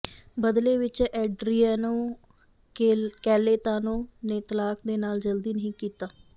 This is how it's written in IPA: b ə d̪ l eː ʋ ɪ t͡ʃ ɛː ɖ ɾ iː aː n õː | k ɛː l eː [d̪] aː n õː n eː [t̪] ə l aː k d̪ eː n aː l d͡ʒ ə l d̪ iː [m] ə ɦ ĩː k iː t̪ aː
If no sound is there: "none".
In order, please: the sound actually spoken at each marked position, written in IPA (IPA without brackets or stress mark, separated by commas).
t̪, t̪, n